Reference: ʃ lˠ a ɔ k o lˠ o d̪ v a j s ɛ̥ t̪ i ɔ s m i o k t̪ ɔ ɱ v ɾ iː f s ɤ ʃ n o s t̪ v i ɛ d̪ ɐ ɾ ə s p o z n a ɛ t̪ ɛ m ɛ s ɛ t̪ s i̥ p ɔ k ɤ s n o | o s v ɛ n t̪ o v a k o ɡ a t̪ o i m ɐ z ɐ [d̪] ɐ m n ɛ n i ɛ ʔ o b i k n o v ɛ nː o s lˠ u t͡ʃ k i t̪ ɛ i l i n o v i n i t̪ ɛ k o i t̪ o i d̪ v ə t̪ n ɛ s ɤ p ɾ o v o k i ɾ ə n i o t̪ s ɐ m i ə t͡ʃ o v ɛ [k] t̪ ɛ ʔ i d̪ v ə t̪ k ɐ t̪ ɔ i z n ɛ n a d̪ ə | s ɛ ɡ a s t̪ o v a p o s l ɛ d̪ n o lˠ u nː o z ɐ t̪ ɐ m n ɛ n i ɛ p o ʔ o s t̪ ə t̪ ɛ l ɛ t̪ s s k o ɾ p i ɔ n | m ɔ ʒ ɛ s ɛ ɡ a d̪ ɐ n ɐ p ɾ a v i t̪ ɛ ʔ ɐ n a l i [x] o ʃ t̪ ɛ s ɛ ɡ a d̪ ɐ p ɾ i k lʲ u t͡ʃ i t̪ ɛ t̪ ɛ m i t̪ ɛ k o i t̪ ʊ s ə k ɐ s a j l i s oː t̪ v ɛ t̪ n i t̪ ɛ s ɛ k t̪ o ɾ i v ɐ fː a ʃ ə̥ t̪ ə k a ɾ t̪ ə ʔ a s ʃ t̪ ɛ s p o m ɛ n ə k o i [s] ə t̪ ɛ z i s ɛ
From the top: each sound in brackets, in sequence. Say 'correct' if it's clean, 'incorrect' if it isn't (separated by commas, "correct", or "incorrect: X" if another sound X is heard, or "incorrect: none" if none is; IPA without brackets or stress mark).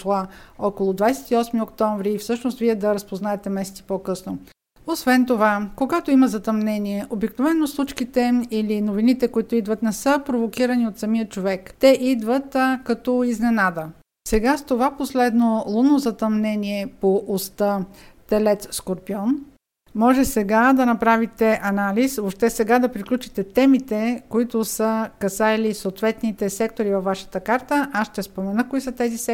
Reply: incorrect: t̪, correct, incorrect: s, correct